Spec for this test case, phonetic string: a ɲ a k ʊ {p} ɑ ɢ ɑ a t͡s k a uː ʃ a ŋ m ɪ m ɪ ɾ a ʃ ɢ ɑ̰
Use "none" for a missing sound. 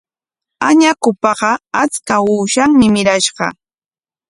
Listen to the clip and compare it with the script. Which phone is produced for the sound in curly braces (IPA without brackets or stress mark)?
p